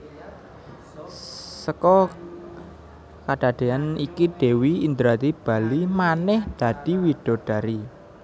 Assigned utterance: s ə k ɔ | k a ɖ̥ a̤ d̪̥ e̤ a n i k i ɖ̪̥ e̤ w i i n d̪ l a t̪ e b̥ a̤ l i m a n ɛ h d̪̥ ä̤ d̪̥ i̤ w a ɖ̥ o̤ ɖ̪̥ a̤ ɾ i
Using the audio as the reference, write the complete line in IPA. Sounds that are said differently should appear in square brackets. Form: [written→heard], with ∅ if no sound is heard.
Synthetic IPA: s ə k ɔ | k a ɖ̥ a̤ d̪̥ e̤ a n i k i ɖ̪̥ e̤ w i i n d̪ [l→ɾ] a t̪ [e→i] b̥ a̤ l i m a n ɛ h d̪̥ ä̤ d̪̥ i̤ w [a→i] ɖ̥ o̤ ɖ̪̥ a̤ ɾ i